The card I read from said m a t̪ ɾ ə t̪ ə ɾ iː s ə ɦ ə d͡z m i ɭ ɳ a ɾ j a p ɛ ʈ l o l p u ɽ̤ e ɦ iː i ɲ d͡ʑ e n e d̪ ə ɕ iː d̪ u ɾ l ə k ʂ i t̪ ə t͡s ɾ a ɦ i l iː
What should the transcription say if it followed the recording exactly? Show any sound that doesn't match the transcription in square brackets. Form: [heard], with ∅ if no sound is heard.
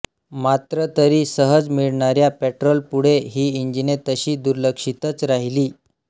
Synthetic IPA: m a t̪ ɾ ə t̪ ə ɾ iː s ə ɦ ə d͡z m i ɭ ɳ a ɾ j a p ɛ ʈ [ɾ] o l p u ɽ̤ e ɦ iː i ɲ d͡ʑ [i] n e [t̪] ə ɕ iː d̪ u ɾ l ə k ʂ i t̪ ə t͡s ɾ a ɦ i l iː